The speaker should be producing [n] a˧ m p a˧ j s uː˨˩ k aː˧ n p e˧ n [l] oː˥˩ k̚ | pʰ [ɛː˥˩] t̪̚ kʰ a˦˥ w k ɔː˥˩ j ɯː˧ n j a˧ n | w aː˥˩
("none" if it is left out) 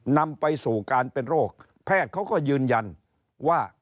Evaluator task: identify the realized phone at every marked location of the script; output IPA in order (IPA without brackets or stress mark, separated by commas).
n, ɾ, ɛː˥˩